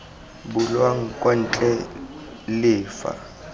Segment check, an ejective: present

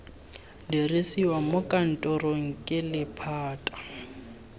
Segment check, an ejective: present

